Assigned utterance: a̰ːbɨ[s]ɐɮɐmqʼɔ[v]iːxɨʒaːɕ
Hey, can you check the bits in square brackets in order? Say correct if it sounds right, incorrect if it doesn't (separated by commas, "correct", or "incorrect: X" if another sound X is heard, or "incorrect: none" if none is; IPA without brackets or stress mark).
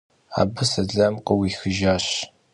correct, incorrect: w